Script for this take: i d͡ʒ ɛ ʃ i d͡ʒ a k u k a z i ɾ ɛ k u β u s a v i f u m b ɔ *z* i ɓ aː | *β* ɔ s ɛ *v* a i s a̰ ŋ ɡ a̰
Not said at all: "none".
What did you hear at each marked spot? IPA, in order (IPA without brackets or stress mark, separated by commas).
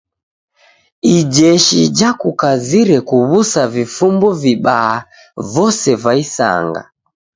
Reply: v, v, v